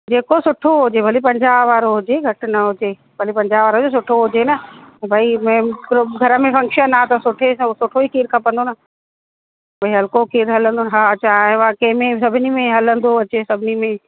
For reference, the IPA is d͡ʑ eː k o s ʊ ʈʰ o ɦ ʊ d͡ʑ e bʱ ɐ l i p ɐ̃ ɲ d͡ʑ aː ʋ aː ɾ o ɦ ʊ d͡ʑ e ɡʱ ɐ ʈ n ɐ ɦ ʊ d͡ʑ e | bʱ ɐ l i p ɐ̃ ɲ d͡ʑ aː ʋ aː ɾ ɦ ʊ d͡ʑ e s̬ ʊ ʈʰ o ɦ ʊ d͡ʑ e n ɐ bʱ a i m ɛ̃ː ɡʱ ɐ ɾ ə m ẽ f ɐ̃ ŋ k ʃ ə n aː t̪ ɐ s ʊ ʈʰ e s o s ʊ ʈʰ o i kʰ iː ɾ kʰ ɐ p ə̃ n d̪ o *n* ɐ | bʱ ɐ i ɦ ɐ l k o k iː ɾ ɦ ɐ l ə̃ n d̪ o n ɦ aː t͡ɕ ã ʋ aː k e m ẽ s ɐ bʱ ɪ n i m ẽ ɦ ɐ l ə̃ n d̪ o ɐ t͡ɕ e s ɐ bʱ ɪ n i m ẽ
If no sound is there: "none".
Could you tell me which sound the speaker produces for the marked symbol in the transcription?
n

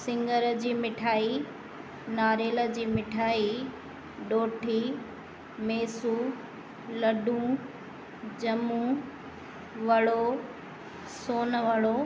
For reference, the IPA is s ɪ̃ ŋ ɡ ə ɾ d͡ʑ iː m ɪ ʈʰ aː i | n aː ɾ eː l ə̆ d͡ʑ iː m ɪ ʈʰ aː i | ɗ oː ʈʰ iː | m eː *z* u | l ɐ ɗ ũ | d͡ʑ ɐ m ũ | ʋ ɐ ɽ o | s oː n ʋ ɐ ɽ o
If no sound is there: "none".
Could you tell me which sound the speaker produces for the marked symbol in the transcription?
s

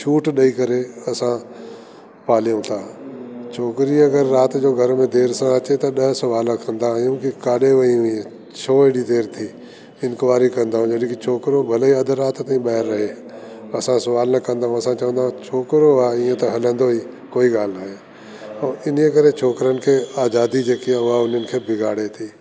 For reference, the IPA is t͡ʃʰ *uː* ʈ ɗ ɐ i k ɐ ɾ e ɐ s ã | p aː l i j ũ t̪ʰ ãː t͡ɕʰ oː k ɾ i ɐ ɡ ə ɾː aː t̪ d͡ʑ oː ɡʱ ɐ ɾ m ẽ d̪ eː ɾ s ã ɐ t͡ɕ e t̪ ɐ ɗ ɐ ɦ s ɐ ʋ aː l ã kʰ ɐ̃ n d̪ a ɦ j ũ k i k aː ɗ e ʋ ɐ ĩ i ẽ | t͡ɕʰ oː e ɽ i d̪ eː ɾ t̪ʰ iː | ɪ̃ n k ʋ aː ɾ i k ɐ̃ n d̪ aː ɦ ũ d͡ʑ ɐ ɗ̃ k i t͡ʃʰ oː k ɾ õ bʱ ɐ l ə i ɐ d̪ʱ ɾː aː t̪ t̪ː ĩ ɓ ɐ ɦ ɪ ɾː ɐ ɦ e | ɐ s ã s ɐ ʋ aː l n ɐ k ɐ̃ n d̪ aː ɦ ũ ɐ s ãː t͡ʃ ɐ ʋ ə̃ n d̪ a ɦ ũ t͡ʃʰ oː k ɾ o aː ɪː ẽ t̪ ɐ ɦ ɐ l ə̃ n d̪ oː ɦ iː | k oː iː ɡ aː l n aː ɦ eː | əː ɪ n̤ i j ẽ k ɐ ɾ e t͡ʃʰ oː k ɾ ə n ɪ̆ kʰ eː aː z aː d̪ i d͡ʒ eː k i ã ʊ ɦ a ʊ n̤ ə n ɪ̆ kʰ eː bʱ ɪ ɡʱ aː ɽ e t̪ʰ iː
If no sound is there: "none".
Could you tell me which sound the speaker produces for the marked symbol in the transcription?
uː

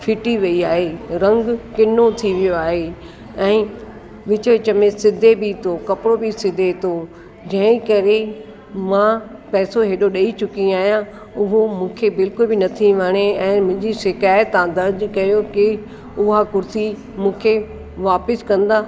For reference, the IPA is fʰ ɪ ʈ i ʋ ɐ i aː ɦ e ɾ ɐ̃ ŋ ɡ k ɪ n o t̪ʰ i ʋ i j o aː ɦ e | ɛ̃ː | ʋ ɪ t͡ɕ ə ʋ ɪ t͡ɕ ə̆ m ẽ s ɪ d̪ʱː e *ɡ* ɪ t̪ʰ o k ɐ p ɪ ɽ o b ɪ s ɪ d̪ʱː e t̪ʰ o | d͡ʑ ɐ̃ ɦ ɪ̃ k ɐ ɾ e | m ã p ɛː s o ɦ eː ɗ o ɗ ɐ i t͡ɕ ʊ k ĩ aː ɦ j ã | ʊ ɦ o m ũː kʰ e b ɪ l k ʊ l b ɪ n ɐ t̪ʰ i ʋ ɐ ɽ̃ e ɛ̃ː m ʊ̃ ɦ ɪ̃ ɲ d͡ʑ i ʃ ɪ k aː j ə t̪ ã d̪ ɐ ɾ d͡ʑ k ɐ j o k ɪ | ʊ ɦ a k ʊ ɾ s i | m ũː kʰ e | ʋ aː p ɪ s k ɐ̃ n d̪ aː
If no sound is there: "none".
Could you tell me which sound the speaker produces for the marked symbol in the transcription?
b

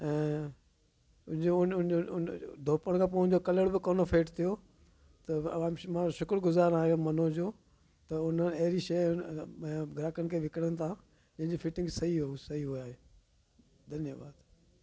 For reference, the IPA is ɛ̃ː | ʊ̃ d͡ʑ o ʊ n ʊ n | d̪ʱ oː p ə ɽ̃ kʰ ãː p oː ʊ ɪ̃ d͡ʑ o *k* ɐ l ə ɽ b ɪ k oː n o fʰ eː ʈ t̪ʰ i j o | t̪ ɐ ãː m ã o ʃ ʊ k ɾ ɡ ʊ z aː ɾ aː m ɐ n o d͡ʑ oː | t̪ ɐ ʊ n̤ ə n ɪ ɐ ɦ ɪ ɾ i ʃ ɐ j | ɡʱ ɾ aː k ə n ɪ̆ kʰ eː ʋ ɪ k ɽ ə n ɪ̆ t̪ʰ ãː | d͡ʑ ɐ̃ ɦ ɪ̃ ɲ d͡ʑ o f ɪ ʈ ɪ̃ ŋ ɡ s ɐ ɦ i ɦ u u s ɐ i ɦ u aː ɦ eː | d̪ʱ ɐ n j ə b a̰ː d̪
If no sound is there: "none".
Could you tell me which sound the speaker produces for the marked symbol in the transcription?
k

